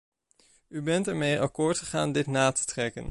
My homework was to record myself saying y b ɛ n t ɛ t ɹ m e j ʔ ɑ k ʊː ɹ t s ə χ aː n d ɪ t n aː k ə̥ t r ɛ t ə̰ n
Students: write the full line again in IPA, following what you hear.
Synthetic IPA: y b ɛ n t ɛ ɹ m e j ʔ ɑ k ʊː ɹ t χ ə χ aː n d ɪ t n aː t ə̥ t r ɛ k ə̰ n